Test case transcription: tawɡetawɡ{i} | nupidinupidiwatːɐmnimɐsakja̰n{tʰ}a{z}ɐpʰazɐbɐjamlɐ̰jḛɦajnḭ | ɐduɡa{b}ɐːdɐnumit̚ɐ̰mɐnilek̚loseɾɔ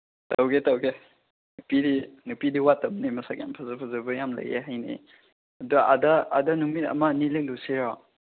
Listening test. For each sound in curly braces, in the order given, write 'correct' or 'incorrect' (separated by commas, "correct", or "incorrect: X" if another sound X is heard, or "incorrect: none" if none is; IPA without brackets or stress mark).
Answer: incorrect: e, incorrect: pʰ, correct, incorrect: d